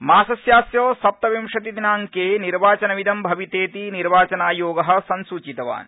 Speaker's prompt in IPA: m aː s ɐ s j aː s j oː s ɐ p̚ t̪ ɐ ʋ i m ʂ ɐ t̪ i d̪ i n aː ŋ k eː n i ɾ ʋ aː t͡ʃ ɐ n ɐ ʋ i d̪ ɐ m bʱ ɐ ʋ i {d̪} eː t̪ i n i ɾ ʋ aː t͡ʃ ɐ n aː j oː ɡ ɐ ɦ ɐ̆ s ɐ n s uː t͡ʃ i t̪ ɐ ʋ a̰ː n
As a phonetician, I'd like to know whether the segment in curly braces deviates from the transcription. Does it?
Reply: yes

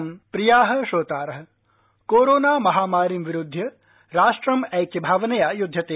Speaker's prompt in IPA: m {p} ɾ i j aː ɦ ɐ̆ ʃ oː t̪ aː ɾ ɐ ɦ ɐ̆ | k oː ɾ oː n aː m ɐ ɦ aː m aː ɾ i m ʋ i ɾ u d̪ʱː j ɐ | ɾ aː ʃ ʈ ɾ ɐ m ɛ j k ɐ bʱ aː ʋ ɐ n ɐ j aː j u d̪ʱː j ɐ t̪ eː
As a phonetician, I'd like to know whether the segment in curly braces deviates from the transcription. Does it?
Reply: no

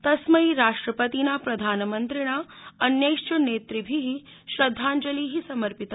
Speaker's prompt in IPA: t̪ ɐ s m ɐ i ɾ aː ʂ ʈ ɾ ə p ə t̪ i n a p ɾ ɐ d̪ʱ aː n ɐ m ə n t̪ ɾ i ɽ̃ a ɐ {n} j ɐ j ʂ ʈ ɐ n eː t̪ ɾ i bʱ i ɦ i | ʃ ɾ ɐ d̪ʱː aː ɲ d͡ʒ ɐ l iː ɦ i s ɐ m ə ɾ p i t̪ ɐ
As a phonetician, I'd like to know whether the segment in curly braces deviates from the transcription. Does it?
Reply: no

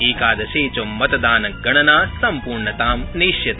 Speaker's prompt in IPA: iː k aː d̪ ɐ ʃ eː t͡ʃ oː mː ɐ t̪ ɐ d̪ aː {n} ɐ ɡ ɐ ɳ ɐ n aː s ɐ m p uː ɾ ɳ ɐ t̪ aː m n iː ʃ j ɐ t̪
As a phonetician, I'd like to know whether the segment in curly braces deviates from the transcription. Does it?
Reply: no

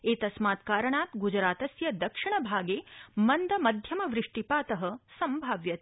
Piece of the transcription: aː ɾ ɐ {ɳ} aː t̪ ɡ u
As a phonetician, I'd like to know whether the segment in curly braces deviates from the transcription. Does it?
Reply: no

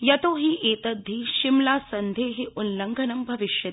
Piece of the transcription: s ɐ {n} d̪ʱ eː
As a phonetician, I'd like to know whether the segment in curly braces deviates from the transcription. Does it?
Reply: no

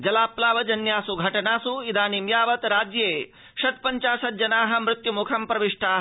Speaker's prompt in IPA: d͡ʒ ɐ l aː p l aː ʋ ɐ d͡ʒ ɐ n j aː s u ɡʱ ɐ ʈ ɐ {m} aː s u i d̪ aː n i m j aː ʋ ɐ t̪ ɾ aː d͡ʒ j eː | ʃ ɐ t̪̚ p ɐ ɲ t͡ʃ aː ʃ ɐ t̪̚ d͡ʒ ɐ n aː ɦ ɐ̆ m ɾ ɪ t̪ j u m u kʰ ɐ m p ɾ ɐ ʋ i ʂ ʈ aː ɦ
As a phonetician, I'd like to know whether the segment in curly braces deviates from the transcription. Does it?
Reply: yes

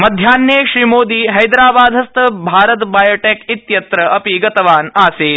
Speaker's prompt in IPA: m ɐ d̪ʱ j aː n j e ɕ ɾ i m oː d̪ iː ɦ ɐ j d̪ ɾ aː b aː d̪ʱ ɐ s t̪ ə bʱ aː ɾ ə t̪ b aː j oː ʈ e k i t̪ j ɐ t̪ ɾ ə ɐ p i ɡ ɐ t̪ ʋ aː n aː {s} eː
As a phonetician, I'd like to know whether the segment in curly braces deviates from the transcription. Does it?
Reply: no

